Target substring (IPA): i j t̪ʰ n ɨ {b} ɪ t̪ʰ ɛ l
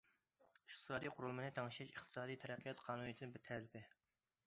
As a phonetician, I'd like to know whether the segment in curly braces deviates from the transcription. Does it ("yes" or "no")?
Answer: no